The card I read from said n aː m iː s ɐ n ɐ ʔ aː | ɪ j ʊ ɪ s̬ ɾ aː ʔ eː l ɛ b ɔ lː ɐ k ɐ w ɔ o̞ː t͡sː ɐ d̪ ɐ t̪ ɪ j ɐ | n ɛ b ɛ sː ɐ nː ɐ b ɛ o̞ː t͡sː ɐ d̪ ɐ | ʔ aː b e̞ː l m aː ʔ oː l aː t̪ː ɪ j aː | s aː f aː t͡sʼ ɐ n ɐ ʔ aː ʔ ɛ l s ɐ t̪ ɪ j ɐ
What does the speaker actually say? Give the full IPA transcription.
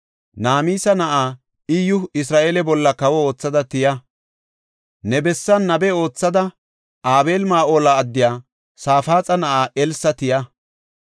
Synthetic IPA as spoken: n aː m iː s ɐ n ɐ ʔ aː | ɪ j ʊ ɪ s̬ ɾ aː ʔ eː l ɛ b ɔ lː ɐ k ɐ w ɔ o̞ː t͡sː ɐ d̪ ɐ t̪ ɪ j ɐ | n ɛ b ɛ sː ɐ nː ɐ b ɛ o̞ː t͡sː ɐ d̪ ɐ | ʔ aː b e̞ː l m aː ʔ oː l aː d̪ː ɪ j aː | s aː f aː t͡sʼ ɐ n ɐ ʔ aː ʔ ɛ l s ɐ t̪ ɪ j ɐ